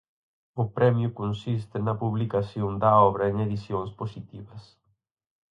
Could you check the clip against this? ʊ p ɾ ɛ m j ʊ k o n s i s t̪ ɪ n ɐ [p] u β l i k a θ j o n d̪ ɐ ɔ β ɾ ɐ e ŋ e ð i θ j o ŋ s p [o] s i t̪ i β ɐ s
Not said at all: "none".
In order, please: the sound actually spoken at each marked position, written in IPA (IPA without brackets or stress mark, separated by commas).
p, o